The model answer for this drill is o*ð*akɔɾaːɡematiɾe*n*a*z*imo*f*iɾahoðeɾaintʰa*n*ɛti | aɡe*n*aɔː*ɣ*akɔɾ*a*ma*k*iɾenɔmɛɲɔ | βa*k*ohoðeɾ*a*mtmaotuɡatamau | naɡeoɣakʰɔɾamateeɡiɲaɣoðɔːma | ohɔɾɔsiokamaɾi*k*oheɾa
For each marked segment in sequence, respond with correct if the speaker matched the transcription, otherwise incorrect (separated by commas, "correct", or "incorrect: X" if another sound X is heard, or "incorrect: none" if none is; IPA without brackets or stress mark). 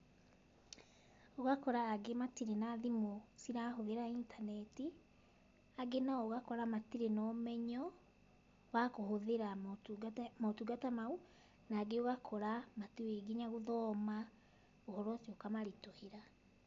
incorrect: ɣ, correct, incorrect: ð, incorrect: s, correct, correct, correct, correct, incorrect: t, correct, correct, incorrect: t